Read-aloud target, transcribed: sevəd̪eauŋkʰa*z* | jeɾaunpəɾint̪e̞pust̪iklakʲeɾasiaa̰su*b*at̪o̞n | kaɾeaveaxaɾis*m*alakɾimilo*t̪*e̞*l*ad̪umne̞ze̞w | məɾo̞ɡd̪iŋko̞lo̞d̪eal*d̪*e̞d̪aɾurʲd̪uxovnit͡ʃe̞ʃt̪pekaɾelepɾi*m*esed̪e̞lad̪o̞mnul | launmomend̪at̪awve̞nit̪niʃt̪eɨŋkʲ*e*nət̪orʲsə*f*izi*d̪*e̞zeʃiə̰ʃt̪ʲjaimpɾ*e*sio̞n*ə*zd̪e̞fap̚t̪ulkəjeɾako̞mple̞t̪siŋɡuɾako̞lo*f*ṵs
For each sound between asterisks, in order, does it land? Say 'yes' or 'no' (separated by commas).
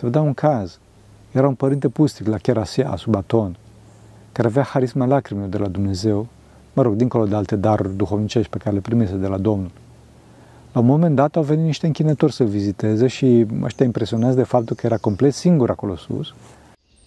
yes, yes, yes, no, yes, no, yes, no, no, no, yes, no, no